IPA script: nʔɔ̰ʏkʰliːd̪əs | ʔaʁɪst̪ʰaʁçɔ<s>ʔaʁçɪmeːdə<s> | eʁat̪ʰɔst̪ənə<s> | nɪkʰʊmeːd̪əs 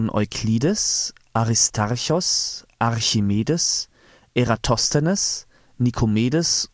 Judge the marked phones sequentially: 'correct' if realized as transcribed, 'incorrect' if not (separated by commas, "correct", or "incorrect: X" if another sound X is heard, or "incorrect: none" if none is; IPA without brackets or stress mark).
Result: correct, correct, correct